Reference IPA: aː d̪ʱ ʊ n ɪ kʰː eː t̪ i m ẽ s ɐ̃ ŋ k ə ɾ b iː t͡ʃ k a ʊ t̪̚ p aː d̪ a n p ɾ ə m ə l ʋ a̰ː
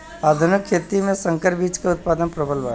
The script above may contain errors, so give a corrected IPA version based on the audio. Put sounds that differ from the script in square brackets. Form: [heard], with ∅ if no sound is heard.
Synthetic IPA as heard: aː d̪ʱ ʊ n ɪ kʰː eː t̪ i m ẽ s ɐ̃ ŋ k ə ɾ b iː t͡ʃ k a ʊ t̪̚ p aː d̪ [ə] n p ɾ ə [b] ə l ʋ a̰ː